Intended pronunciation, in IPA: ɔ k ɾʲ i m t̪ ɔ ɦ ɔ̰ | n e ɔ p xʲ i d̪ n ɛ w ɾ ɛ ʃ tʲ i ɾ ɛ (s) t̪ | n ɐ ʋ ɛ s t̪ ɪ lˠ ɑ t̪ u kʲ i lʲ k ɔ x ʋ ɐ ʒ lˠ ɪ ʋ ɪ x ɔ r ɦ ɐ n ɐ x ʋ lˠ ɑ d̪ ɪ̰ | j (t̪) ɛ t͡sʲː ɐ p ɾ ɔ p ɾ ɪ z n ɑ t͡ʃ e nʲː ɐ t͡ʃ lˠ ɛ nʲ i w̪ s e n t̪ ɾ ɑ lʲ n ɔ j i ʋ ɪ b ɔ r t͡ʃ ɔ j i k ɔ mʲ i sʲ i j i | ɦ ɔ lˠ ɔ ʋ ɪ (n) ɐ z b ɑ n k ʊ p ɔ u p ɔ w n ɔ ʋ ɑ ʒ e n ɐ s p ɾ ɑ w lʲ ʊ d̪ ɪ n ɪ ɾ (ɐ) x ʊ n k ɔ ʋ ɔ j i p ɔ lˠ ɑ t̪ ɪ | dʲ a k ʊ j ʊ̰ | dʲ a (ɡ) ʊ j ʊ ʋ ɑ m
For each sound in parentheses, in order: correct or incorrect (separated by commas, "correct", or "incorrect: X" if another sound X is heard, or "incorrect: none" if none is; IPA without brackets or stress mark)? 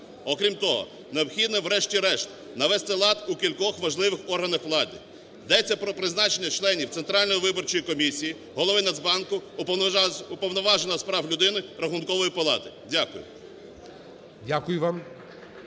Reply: incorrect: ʃ, incorrect: d̪, correct, correct, incorrect: k